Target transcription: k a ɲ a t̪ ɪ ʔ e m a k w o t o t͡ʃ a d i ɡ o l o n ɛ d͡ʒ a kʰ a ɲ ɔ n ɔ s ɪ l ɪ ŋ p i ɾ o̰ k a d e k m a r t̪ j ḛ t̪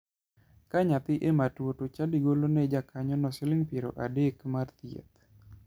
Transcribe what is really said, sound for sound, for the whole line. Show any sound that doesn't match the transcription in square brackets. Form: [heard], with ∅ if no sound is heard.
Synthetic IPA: k a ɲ a t̪ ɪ ʔ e m a [t] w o t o t͡ʃ a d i ɡ o l o n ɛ d͡ʒ a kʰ a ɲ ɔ n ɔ s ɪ l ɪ ŋ p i ɾ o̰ [ʔ] a d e k m a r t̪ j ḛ t̪